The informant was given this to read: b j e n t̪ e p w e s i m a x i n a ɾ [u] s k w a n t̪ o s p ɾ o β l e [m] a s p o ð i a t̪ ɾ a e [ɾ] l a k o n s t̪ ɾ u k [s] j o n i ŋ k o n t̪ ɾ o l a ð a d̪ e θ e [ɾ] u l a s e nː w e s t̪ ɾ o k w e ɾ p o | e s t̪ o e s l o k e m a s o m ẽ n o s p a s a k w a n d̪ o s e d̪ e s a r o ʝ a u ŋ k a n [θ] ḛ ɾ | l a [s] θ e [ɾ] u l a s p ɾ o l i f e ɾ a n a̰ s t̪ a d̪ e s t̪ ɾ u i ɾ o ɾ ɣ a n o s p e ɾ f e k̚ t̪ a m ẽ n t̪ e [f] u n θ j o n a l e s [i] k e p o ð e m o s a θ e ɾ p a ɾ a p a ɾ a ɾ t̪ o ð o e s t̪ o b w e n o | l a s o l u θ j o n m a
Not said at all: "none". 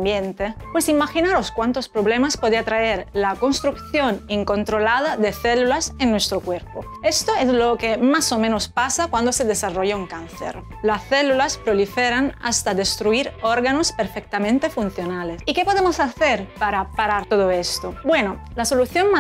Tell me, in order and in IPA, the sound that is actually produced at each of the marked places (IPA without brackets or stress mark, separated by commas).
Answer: o, m, ɾ, θ, l, θ, s, l, f, i